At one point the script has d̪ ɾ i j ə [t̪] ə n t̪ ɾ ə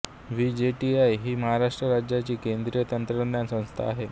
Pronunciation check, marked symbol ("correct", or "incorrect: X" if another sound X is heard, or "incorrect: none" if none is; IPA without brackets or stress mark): correct